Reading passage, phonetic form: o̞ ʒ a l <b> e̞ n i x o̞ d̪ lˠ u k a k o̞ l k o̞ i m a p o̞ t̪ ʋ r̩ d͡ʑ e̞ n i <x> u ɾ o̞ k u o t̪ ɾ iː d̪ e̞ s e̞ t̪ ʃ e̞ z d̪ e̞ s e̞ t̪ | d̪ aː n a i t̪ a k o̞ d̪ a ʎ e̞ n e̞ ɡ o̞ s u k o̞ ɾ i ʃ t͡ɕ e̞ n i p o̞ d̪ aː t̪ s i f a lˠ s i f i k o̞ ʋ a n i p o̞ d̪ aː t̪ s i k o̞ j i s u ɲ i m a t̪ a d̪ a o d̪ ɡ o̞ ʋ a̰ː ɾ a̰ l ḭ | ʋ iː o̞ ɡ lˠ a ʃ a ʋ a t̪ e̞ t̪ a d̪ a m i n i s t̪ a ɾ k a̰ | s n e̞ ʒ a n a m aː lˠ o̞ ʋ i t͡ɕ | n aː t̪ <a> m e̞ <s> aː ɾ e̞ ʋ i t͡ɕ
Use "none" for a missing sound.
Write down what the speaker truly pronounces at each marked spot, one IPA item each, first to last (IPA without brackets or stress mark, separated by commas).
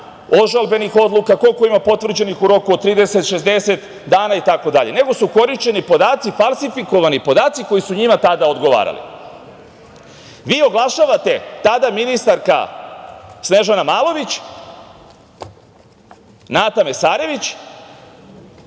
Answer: b, x, a, s